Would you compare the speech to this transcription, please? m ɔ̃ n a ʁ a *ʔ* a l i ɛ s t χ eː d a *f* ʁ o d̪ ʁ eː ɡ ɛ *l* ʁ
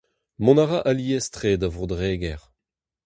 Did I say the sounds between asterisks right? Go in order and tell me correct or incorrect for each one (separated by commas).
correct, incorrect, incorrect